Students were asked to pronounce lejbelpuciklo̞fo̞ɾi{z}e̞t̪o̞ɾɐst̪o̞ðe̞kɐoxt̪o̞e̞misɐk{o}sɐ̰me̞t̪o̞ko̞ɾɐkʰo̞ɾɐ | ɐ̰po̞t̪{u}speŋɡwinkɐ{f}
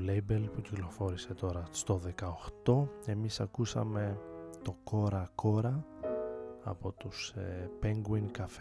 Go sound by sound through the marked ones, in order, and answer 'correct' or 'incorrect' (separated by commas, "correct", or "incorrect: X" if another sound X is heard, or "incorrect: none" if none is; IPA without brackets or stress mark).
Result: incorrect: s, incorrect: u, correct, correct